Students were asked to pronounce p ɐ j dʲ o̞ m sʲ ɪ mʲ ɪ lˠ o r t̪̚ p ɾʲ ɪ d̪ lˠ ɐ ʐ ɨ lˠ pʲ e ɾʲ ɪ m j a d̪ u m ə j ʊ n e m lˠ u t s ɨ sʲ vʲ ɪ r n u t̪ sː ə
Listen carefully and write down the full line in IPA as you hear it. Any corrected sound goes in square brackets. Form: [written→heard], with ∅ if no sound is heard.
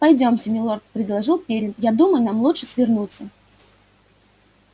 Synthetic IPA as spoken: p ɐ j dʲ o̞ m sʲ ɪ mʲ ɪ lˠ o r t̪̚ p ɾʲ ɪ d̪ lˠ ɐ ʐ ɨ lˠ pʲ e ɾʲ ɪ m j a d̪ u m ə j ʊ n [e→a] m lˠ u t [s→ʂ] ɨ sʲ vʲ ɪ r n u t̪ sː ə